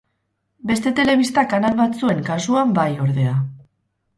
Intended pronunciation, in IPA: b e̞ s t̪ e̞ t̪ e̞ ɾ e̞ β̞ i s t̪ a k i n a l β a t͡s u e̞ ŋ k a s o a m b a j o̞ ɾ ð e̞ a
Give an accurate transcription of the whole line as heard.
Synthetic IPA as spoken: b e̞ s t̪ e̞ t̪ e̞ l e̞ β̞ i s t̪ a k a n a l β a t͡s u e̞ ŋ k a s u a m b a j o̞ ɾ ð e̞ a